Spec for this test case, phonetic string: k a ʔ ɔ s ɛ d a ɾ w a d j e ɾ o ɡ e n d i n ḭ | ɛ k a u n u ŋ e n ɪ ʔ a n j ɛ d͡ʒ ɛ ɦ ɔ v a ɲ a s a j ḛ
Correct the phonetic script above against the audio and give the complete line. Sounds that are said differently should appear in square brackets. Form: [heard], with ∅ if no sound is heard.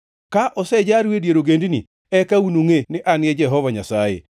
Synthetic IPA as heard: k a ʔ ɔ s ɛ [d͡ʒ] a ɾ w [e] d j e ɾ o ɡ e n d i n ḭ | ɛ k a u n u ŋ e n ɪ ʔ a n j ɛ d͡ʒ ɛ ɦ ɔ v a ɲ a s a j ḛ